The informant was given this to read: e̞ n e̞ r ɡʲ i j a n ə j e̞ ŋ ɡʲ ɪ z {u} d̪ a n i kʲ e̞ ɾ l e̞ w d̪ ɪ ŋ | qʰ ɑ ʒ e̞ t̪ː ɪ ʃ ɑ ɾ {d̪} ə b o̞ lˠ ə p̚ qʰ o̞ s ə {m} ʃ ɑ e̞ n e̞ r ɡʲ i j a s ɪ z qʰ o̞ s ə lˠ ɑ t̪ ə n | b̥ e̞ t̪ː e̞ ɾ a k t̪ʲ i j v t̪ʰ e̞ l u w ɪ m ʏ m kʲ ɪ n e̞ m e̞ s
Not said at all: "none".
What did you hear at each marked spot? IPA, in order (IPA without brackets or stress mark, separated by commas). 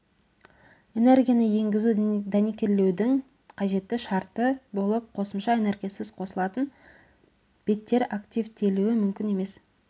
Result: u, t̪, m